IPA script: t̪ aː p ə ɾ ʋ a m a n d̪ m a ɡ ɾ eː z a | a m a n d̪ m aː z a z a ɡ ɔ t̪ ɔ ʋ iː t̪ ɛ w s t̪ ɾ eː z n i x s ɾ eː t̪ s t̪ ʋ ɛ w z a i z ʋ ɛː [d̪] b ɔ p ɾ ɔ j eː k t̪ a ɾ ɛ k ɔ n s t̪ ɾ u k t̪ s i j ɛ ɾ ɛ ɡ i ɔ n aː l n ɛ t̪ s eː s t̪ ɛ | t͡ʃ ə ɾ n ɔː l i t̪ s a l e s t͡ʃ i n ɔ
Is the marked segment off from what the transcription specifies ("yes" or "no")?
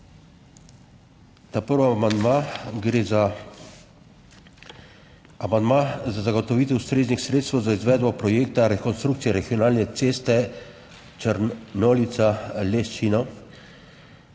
no